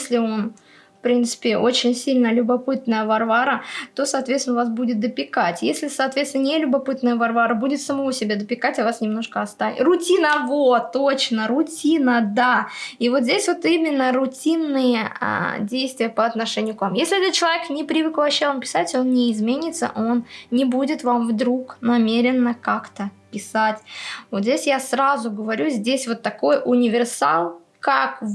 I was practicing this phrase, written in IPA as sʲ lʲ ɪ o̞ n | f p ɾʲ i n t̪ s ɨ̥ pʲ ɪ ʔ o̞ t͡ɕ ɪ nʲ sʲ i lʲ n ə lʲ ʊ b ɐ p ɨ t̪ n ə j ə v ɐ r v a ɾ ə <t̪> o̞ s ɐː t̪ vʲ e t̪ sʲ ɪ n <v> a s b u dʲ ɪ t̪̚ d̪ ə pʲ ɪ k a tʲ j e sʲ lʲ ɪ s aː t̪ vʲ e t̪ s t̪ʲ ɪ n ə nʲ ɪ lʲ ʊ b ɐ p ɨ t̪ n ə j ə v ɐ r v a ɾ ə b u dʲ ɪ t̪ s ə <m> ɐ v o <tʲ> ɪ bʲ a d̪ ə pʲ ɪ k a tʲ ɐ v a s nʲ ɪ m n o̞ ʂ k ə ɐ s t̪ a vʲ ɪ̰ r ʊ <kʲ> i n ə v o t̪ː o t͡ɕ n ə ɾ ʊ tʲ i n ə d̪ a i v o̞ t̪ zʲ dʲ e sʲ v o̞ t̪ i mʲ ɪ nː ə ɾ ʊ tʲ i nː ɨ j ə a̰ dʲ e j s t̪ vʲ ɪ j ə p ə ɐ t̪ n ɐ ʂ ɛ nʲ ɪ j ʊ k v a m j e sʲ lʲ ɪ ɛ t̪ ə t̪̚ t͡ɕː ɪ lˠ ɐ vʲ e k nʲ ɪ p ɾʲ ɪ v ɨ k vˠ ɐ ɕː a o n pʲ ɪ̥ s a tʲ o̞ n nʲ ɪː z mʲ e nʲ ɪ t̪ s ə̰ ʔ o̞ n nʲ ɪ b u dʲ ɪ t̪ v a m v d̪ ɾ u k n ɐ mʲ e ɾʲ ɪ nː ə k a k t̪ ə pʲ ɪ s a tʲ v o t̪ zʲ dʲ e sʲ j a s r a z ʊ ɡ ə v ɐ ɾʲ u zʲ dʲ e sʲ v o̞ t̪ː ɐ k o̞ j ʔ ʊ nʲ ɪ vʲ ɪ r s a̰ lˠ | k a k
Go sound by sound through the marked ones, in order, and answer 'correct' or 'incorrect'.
correct, correct, correct, incorrect: sʲ, incorrect: tʲ

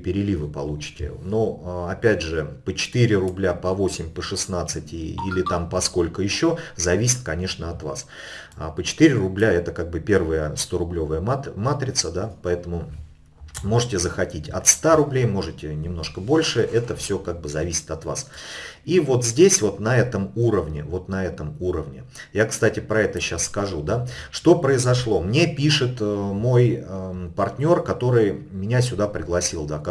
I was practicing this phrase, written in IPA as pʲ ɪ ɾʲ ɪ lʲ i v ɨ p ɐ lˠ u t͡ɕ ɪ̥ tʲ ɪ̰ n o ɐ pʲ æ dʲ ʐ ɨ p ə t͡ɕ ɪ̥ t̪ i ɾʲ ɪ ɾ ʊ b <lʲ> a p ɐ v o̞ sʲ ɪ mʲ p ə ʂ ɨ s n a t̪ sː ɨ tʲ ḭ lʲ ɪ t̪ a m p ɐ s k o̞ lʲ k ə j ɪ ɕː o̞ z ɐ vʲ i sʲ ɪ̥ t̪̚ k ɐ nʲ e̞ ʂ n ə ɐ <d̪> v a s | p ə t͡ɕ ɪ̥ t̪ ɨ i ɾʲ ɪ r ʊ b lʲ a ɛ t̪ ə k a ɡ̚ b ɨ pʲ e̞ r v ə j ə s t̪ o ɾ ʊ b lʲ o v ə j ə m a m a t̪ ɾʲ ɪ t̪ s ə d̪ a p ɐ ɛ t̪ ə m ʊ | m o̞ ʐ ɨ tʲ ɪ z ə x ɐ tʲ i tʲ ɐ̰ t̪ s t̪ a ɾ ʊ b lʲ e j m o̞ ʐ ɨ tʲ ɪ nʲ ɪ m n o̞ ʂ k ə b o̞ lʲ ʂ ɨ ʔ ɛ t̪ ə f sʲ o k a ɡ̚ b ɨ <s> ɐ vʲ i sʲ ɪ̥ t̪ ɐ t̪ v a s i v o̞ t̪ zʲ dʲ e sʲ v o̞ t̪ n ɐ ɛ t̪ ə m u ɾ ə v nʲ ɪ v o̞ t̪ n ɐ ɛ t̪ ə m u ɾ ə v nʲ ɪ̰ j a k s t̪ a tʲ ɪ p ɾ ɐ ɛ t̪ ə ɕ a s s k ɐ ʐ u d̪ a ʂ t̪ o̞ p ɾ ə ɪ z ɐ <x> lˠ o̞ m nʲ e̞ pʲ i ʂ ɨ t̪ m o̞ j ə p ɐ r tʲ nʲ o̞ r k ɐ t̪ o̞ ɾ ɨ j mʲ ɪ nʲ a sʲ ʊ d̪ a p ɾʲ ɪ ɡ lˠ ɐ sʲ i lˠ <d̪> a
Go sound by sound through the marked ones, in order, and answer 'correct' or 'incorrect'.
correct, incorrect: t̪, incorrect: z, incorrect: ʂ, correct

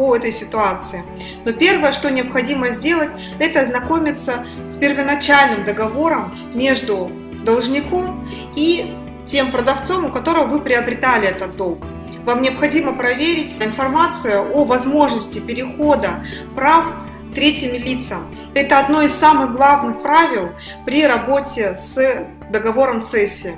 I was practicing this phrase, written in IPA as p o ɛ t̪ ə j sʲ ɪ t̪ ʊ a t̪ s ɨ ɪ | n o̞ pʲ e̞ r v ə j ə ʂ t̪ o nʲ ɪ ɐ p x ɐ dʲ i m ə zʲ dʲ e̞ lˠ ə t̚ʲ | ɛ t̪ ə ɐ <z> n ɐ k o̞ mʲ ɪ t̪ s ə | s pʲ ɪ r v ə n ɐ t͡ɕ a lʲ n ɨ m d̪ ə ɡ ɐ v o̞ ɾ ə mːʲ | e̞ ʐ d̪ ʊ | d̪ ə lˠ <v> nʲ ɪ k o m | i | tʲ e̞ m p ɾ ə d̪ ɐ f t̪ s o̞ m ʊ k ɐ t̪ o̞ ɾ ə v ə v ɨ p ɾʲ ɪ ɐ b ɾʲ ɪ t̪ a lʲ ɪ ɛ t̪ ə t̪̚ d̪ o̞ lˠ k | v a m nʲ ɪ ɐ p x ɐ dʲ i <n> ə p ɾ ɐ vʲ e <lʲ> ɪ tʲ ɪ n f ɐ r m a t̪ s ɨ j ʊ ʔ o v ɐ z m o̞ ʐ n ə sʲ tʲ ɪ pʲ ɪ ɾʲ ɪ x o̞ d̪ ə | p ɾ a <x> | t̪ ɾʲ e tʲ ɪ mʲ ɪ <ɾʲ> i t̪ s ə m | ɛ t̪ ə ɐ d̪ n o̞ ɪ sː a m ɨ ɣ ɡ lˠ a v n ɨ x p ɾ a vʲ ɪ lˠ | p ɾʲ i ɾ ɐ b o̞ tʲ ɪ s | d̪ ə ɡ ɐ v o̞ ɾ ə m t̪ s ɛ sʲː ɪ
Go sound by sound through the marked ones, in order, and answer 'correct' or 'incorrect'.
correct, incorrect: ʐ, incorrect: m, incorrect: ɾʲ, incorrect: f, incorrect: lʲ

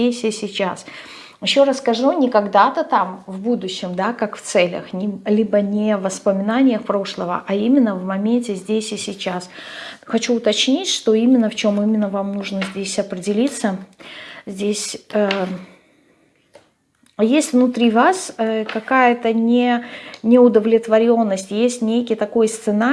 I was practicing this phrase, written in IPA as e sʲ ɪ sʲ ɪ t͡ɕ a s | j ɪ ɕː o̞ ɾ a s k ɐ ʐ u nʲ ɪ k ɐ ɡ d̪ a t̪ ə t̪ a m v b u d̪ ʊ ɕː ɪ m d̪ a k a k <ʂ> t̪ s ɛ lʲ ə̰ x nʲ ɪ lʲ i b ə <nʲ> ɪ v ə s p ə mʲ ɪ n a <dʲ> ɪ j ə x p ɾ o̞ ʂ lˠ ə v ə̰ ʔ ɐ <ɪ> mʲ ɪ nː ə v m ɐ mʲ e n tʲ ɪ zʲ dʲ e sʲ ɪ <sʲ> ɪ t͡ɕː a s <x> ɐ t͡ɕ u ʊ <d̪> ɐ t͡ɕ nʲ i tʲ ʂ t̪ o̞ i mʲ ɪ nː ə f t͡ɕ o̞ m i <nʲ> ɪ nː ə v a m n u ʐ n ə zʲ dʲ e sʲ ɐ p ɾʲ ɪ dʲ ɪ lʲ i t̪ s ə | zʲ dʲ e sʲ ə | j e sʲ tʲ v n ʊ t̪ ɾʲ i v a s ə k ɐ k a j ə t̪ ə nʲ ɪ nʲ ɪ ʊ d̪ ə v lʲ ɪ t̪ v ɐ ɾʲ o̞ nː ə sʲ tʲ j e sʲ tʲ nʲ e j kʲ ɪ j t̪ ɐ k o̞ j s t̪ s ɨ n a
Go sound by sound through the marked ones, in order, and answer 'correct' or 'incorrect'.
incorrect: f, correct, incorrect: nʲ, incorrect: i, correct, correct, incorrect: t̪, incorrect: mʲ

